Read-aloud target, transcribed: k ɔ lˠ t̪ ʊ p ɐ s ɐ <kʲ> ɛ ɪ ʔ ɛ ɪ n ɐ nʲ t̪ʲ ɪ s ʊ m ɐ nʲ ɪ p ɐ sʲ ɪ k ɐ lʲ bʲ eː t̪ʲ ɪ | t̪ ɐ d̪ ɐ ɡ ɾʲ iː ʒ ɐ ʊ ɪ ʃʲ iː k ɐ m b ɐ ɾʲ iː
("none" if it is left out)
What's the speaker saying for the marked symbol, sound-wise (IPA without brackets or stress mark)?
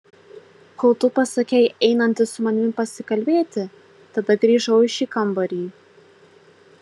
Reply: kʲ